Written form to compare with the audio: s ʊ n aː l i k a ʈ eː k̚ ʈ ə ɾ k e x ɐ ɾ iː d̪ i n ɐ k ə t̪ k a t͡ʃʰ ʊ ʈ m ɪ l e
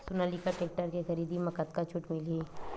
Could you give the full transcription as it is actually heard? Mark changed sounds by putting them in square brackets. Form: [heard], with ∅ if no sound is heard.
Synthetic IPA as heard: s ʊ n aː l i k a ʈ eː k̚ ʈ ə ɾ k e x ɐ ɾ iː d̪ i [m] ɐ k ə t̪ k a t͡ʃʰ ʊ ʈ m ɪ l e